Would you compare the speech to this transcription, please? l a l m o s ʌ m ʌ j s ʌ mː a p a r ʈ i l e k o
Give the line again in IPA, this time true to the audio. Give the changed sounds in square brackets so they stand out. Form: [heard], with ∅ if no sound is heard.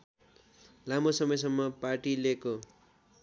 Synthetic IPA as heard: l a [∅] m o s ʌ m ʌ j s ʌ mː [ʌ] p a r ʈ i l e k o